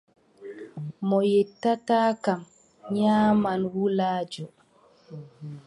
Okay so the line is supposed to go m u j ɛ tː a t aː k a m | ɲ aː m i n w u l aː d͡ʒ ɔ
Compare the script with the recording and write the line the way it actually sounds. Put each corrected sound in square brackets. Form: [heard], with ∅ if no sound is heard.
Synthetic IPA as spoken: m [ɔ] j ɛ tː a t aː k a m | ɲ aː m [a] n w u l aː d͡ʒ ɔ